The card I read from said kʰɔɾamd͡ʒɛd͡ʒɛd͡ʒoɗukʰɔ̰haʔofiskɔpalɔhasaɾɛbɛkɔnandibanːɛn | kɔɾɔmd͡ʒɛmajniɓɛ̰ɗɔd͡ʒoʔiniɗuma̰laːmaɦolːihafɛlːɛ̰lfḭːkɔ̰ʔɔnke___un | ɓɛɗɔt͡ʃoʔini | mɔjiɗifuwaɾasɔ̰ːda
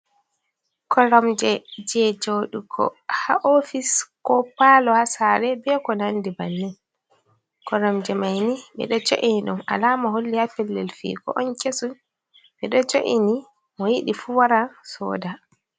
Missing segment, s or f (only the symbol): s